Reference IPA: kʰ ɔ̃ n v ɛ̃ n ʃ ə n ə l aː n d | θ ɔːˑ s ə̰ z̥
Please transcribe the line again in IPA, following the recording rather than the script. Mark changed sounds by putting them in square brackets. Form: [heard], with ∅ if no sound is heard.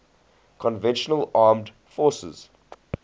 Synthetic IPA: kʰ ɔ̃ n v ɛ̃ n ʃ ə n ə l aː [m] d | [f] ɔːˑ s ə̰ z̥